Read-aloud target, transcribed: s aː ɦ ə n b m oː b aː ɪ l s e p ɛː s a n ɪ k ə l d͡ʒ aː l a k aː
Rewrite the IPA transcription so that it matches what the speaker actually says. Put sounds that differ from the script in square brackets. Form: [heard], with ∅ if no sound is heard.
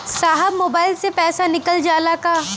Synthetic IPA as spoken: s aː ɦ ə [∅] b m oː b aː ɪ l s e p ɛː s a n ɪ k ə l d͡ʒ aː l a k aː